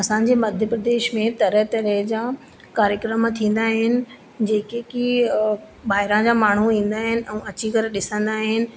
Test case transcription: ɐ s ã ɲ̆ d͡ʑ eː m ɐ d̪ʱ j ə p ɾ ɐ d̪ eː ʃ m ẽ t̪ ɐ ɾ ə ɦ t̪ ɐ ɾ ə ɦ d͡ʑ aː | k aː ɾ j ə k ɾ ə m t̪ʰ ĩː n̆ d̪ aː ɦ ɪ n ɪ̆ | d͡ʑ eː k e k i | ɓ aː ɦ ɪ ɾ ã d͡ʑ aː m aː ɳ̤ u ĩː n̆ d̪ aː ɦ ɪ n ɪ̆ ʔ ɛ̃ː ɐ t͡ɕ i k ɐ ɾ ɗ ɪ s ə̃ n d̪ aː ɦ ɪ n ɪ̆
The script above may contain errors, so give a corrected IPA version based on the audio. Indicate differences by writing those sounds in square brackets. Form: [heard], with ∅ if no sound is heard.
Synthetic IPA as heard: ɐ s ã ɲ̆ d͡ʑ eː m ɐ d̪ʱ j ə p ɾ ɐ d̪ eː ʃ m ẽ t̪ ɐ ɾ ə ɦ t̪ ɐ ɾ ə ɦ d͡ʑ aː | k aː ɾ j ə k ɾ ə m t̪ʰ ĩː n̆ d̪ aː ɦ ɪ n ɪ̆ | d͡ʑ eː k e k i | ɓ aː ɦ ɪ ɾ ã d͡ʑ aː m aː ɳ̤ u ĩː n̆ d̪ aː ɦ ɪ n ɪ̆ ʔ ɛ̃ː ɐ t͡ɕ i k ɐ ɾ ɗ ɪ s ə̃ n d̪ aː ɦ ɪ n ɪ̆